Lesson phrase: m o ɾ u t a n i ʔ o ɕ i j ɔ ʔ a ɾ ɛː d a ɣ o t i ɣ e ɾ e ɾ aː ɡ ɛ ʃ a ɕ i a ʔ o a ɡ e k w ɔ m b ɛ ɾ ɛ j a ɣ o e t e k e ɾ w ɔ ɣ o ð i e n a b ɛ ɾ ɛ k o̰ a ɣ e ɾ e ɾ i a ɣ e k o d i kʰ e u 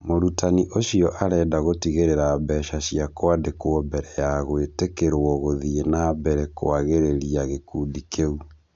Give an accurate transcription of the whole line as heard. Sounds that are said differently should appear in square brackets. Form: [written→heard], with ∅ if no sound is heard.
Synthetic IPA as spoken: m o ɾ u t a n i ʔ o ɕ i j ɔ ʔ a ɾ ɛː d a ɣ o t i ɣ e ɾ e ɾ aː [ɡ→b] ɛ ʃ a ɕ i a [ʔ→k] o a [ɡ→d] e k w ɔ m b ɛ ɾ ɛ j a ɣ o e t e k e ɾ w ɔ ɣ o ð i e n a b ɛ ɾ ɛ k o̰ a ɣ e ɾ e ɾ i a ɣ e k [o→u] d i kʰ e u